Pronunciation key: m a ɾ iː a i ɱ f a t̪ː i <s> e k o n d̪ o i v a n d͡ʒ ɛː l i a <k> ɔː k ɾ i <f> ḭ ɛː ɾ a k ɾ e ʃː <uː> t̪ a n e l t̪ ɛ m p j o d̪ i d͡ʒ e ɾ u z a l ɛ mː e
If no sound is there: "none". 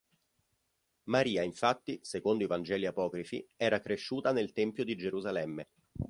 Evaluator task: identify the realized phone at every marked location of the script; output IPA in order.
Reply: s, p, f, uː

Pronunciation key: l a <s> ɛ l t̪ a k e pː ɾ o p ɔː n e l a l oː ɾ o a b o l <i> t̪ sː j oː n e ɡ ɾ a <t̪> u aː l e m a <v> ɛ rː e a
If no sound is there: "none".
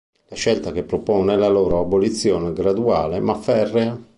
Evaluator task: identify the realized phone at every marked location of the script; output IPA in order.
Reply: ʃ, i, d̪, f

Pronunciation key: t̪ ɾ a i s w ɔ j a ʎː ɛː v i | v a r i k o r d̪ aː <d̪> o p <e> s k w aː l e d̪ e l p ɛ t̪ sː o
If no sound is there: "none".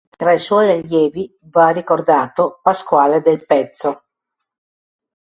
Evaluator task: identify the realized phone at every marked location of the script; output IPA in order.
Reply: t̪, a

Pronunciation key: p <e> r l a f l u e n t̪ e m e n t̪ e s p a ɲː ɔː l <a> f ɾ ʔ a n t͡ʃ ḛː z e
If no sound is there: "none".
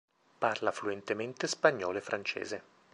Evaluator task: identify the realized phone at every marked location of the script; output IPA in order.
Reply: a, e

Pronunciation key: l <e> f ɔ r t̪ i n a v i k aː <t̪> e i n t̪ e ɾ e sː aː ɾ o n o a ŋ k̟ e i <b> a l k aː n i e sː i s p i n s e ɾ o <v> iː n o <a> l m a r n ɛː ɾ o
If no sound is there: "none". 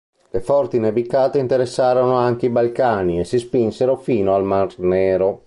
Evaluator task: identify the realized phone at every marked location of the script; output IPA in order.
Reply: e, t̪, b, f, a

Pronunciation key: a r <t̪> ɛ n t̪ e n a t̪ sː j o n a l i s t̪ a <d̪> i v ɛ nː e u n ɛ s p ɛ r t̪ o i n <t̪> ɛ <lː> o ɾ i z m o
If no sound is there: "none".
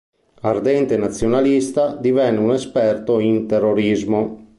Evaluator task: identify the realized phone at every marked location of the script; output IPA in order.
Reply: d̪, d̪, t̪, rː

